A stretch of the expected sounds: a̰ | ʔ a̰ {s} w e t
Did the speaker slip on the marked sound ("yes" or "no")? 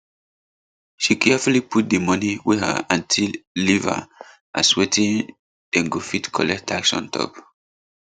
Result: no